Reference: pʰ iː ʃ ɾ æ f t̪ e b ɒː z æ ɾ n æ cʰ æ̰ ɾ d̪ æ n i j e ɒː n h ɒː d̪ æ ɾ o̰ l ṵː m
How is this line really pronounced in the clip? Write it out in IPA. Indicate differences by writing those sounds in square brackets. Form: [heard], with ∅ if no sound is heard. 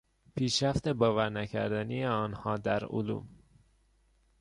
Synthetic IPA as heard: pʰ iː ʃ ɾ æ f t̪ e b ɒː [v] æ ɾ n æ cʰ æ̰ ɾ d̪ æ n i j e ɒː n h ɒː d̪ æ ɾ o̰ l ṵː m